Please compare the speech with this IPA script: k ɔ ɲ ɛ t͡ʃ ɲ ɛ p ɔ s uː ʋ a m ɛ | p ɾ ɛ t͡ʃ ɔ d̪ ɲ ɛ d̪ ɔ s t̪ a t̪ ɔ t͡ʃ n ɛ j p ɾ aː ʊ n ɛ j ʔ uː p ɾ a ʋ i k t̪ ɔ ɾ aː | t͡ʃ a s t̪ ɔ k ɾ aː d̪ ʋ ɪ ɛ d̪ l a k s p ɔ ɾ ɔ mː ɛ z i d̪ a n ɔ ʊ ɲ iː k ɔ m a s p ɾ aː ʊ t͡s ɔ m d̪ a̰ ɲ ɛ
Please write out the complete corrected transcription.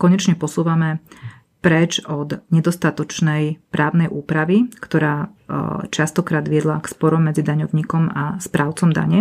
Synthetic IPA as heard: k ɔ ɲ ɛ t͡ʃ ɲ ɛ p ɔ s uː ʋ a m ɛ | p ɾ ɛ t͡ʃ ɔ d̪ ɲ ɛ d̪ ɔ s t̪ a t̪ ɔ t͡ʃ n ɛ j p ɾ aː ʊ n ɛ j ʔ uː p ɾ a ʋ i k t̪ ɔ ɾ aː | t͡ʃ a s t̪ ɔ k ɾ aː d̪ ʋ ɪ ɛ d̪ l a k s p ɔ ɾ ɔ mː ɛ d͡z i d̪ a ɲ ɔ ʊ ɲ iː k ɔ m a s p ɾ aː ʊ t͡s ɔ m d̪ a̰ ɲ ɛ